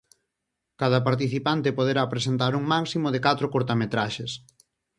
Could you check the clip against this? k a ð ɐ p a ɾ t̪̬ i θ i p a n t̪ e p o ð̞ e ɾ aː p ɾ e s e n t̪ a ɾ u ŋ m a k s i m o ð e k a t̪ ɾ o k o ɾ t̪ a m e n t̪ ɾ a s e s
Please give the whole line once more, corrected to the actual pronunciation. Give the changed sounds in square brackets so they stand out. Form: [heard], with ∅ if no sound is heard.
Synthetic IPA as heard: k a ð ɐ p a ɾ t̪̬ i θ i p a n t̪ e p o ð̞ e ɾ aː p ɾ e s e n t̪ a ɾ u ŋ m a k s i m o ð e k a t̪ ɾ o k o ɾ t̪ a m e [∅] t̪ ɾ a [ʃ] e s